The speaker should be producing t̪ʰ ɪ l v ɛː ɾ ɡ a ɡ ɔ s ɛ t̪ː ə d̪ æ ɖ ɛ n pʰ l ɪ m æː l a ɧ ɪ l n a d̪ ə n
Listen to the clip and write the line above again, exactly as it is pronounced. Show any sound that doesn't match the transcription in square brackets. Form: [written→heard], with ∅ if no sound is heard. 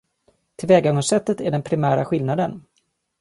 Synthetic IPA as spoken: t̪ʰ ɪ l v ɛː [ɾ→∅] ɡ a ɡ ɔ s ɛ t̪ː ə [d̪→t̪] æ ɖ ɛ n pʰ [l→ɾ] ɪ m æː [l→ɾ] a ɧ ɪ l n a d̪ ə n